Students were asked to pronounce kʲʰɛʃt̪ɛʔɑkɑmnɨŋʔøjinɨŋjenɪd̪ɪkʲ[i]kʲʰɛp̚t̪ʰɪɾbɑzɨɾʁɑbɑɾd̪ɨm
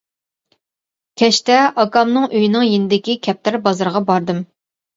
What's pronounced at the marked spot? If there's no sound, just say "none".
i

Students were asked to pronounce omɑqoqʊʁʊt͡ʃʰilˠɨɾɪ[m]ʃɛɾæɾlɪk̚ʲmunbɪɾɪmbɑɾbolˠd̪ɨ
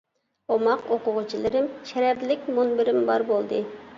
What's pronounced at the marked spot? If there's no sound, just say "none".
m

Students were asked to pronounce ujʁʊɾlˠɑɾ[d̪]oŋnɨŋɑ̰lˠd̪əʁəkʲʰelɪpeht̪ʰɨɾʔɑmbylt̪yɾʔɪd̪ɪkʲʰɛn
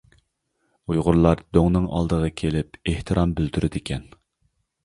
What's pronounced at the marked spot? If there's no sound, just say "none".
d̪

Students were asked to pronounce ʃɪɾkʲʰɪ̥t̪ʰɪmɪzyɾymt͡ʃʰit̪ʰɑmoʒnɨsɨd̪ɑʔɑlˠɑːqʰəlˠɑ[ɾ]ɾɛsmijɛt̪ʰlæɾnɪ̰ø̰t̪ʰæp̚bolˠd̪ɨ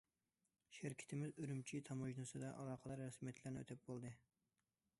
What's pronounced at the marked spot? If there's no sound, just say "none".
ɾ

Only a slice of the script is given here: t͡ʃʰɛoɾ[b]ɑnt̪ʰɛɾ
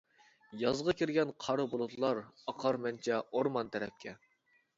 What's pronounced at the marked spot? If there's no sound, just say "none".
m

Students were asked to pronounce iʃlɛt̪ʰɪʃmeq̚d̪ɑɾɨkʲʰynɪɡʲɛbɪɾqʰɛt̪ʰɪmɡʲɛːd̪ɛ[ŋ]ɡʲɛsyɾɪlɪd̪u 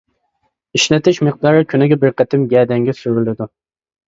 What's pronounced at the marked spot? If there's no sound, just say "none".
ŋ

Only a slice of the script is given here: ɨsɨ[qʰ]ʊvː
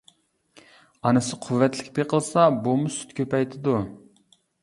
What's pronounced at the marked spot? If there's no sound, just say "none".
qʰ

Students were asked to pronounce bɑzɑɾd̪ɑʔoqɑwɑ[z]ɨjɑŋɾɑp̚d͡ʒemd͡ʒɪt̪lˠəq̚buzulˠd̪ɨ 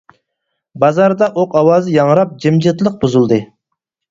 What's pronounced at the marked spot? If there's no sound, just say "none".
z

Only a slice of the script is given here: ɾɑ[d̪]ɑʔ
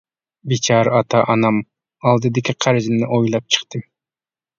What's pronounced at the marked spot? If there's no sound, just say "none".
t̪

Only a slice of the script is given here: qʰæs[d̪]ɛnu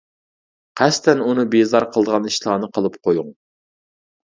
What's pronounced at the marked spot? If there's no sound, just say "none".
t̪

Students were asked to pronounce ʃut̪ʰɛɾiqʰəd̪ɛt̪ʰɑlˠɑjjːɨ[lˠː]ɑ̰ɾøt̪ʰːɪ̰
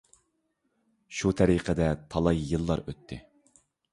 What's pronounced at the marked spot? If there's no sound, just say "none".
lˠː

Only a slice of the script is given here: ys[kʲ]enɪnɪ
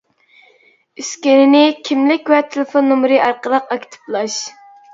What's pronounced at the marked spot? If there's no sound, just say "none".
kʲ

